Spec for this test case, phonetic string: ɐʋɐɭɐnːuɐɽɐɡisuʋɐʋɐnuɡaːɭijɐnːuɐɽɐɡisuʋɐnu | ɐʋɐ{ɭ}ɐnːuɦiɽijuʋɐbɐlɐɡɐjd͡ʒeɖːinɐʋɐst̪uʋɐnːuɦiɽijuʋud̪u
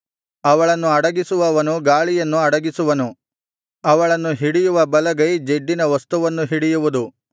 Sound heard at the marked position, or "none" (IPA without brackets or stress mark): ɭ